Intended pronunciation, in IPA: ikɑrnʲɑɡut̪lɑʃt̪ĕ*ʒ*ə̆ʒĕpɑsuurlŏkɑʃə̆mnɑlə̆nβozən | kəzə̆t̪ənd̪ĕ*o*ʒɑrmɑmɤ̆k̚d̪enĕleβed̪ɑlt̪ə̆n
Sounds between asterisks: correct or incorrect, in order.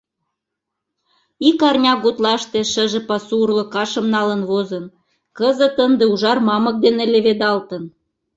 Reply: incorrect: ʃ, incorrect: u

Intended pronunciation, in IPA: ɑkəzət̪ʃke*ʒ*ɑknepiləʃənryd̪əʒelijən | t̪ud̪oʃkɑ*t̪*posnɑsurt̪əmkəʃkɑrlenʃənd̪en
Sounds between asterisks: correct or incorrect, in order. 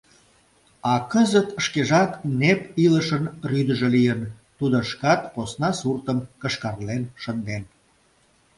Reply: correct, correct

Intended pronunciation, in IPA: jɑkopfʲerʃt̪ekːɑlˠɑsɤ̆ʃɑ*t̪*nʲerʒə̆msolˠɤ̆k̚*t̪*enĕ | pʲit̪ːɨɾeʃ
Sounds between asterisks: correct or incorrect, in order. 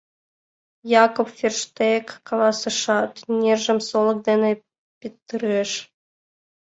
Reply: correct, incorrect: d̪

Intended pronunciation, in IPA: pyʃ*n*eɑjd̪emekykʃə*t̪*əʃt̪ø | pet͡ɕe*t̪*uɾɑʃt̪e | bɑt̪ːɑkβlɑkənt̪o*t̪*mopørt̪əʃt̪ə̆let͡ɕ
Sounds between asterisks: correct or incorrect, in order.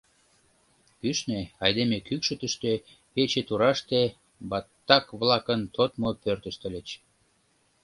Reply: correct, correct, correct, correct

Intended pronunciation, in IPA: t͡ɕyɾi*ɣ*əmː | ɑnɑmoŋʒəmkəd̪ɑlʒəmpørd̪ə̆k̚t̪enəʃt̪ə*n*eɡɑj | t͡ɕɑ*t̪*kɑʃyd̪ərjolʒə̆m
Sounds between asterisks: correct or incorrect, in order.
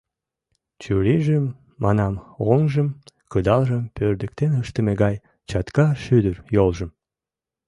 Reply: incorrect: ʒ, incorrect: m, correct

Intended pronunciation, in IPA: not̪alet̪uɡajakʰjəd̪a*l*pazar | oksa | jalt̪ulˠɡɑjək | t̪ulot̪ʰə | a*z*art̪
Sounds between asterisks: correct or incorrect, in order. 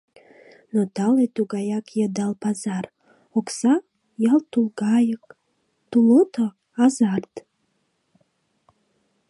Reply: correct, correct

